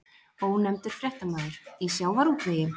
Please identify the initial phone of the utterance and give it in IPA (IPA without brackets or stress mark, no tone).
ɔ